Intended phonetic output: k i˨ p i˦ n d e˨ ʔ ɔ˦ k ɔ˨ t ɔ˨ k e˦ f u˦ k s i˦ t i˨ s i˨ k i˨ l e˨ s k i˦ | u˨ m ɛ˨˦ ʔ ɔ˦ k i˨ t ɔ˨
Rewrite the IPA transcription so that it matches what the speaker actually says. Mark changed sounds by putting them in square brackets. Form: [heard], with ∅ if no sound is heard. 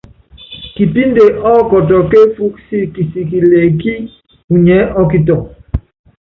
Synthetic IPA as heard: k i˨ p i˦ n d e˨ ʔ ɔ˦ k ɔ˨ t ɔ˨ k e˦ f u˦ k s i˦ [k] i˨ s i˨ k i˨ l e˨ [∅] k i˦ | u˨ [ɲ] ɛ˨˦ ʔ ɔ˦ k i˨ t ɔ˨